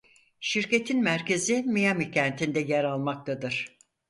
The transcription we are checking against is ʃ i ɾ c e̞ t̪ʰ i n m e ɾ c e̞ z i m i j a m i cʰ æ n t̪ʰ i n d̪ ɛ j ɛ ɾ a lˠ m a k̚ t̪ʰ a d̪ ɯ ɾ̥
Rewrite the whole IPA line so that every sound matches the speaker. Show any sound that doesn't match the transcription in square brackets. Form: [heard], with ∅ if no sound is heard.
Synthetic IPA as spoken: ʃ i ɾ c e̞ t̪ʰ i n m [æ] ɾ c e̞ z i m i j a m i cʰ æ n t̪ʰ i n d̪ ɛ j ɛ ɾ a lˠ m a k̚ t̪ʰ a d̪ ɯ ɾ̥

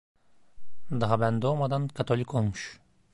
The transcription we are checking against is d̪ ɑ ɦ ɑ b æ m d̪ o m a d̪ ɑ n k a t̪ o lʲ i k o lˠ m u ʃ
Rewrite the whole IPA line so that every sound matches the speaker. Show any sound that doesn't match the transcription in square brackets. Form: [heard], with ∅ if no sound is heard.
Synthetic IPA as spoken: d̪ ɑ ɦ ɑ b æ [n] d̪ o m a d̪ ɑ n k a t̪ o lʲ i k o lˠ m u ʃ

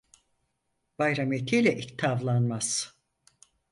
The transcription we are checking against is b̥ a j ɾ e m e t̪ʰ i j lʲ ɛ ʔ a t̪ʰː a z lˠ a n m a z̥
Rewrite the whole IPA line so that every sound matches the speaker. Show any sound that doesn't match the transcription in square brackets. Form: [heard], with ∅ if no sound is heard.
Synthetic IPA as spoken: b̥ a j ɾ [a] m e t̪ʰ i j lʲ ɛ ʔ [i] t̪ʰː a [v] lˠ a n m a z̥

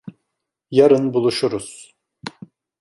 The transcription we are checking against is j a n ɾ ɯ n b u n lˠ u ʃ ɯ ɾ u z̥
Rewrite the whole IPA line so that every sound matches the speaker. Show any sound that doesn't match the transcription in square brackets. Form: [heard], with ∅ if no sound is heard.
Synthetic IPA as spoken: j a [∅] ɾ ɯ n b u [∅] lˠ u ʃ [u] ɾ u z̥

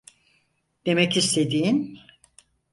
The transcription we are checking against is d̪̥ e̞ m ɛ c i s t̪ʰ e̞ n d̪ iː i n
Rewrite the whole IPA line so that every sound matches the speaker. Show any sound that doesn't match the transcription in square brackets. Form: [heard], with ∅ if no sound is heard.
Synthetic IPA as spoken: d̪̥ e̞ m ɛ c i s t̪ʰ e̞ [∅] d̪ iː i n

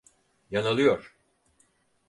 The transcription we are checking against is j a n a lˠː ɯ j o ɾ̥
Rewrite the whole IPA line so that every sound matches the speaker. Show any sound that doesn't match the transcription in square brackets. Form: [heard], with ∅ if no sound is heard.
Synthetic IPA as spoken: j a n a [lˠ] ɯ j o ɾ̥

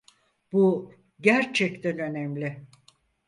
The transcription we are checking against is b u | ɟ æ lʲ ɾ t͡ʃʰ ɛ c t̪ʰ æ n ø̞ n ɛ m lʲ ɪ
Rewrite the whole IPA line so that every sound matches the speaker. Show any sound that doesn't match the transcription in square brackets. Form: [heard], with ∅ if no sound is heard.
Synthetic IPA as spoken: b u | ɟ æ [∅] ɾ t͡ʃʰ ɛ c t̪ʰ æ n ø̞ n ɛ m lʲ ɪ

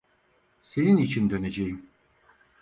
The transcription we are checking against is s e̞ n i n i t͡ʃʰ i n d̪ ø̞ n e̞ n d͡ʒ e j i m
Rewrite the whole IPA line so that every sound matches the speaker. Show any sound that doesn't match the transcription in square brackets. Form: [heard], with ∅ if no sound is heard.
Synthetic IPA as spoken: s e̞ n i n i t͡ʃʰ i n d̪ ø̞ n e̞ [∅] d͡ʒ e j i m

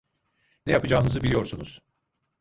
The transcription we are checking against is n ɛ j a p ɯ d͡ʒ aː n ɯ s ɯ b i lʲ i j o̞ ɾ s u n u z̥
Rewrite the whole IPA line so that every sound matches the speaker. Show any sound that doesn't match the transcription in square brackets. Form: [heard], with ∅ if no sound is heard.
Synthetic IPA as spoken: n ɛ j a p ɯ d͡ʒ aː n ɯ [z] ɯ b i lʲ i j o̞ ɾ s u n u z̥

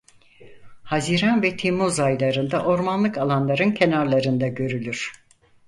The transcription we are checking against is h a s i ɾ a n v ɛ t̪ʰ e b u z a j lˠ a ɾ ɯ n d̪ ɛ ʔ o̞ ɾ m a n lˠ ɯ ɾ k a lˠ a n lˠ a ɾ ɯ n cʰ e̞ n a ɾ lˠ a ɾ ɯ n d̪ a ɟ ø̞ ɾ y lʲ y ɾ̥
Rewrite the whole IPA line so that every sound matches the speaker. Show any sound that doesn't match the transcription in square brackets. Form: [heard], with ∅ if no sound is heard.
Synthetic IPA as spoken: h a [z] i ɾ a n v ɛ t̪ʰ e [m] u z a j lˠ a ɾ ɯ n d̪ [a] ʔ o̞ ɾ m a n lˠ ɯ [∅] k a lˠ a n lˠ a ɾ ɯ n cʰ e̞ n a ɾ lˠ a ɾ ɯ n d̪ a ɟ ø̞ ɾ y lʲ y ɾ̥

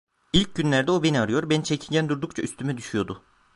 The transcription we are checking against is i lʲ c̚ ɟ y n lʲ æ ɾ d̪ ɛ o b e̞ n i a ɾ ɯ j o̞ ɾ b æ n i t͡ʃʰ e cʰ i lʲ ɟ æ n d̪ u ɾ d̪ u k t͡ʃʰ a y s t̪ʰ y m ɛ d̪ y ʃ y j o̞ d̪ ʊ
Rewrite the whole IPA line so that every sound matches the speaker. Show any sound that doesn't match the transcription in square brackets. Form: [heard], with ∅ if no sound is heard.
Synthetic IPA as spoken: i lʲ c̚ ɟ y n lʲ æ ɾ d̪ ɛ o b e̞ n i a ɾ ɯ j o̞ ɾ b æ n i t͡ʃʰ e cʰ i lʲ ɟ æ n d̪ u ɾ d̪ u k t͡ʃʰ a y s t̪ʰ y m ɛ d̪ y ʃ y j o̞ d̪ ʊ

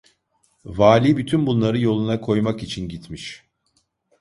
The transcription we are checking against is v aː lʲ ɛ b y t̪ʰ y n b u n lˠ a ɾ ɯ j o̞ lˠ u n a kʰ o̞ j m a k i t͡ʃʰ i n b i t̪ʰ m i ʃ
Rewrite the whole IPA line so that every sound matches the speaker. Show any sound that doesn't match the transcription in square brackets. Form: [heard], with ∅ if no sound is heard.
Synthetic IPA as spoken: v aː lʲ [i] b y t̪ʰ y n b u n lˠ a ɾ ɯ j o̞ lˠ u n a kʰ o̞ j m a k i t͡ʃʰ i n [ɟ] i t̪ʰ m i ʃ

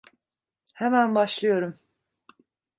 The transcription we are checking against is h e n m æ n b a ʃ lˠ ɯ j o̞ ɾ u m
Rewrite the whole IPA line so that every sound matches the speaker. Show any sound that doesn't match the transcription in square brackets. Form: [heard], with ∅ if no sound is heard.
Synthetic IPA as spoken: h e [∅] m æ n b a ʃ lˠ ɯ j o̞ ɾ u m

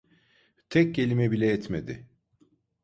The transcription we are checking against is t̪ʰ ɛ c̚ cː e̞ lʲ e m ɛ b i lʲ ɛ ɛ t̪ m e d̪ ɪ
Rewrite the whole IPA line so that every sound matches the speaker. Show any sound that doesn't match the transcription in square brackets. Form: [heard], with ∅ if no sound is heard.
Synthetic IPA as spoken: t̪ʰ ɛ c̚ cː e̞ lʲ [i] m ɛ b i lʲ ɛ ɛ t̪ m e d̪ ɪ

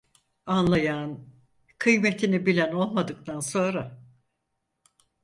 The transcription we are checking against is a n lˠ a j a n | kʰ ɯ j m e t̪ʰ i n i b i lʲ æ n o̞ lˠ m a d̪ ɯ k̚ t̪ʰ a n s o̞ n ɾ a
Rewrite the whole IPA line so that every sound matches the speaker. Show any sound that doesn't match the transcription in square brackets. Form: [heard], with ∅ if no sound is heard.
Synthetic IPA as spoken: a n lˠ a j a n | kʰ ɯ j m e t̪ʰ i n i b i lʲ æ n o̞ lˠ m a d̪ ɯ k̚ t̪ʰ a n s o̞ n ɾ a

